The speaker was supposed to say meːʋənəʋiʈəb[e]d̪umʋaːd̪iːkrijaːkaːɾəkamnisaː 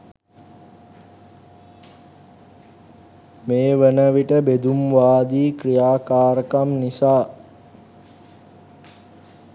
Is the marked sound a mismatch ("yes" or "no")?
no